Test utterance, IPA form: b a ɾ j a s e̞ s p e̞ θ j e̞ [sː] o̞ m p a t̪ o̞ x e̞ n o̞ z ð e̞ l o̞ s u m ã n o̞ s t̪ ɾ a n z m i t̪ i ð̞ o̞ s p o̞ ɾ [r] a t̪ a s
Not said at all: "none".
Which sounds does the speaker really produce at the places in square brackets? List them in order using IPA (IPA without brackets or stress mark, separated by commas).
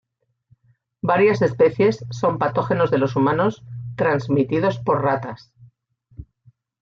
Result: sː, r